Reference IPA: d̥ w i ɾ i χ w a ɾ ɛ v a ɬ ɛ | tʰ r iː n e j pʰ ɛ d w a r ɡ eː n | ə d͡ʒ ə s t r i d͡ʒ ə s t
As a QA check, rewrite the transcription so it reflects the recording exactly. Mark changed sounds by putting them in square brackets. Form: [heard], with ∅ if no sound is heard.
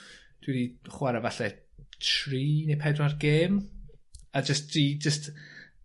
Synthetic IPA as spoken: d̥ w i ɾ i χ w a ɾ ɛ v a ɬ ɛ | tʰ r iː n e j pʰ ɛ d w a r ɡ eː [m] | [a] d͡ʒ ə s t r i d͡ʒ ə s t